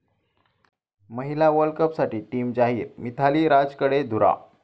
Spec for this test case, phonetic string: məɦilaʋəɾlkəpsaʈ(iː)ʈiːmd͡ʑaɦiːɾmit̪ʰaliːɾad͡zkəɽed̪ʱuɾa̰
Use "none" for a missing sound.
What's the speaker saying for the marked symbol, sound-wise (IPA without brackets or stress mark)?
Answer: iː